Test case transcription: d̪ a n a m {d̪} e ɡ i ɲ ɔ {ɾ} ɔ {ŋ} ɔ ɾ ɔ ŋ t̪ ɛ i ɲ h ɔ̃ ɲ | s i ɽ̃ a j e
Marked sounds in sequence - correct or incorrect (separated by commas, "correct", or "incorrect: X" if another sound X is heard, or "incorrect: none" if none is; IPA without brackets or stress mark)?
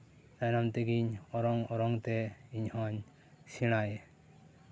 incorrect: t̪, correct, correct